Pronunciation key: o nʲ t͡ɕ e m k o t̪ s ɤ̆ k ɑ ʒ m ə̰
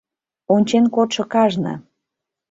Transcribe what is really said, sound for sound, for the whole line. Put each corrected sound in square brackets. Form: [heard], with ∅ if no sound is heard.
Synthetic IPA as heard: o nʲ t͡ɕ e [n] k o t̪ [ʃ] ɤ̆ k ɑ ʒ [n] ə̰